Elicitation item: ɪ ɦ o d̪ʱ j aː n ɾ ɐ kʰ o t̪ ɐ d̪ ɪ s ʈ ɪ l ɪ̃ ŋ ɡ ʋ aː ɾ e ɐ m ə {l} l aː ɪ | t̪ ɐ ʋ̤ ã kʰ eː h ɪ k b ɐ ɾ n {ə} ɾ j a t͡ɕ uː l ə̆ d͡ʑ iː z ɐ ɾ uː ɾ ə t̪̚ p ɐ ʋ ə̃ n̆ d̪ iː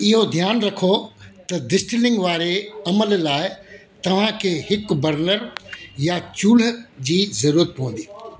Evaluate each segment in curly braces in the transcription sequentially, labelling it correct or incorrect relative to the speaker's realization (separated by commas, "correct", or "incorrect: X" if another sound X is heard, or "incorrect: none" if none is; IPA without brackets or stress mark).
correct, correct